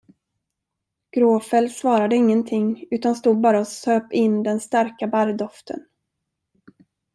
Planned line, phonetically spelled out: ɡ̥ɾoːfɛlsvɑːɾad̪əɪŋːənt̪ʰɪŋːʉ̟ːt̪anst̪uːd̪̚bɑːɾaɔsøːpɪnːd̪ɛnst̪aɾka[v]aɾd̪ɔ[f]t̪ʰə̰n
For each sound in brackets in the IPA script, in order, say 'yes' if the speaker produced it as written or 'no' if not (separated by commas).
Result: no, yes